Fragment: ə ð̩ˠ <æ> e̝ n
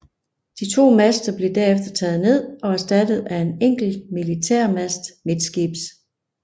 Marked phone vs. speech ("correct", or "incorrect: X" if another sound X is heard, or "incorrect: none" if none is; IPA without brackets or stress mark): correct